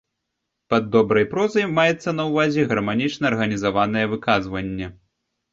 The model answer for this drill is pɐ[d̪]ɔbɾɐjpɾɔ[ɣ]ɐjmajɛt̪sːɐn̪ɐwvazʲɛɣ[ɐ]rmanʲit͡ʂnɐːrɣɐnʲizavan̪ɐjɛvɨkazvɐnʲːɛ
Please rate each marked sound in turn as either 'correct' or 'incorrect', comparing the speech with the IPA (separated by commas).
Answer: incorrect, incorrect, correct